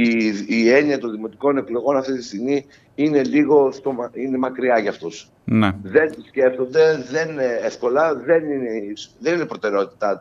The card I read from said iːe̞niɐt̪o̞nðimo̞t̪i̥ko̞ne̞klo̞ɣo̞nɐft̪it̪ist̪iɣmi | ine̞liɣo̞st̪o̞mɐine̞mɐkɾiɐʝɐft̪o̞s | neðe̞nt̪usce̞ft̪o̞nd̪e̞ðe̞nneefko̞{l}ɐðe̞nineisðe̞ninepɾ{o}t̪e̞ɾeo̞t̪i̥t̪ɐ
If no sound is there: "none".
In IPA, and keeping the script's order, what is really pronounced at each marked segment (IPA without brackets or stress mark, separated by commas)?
l, o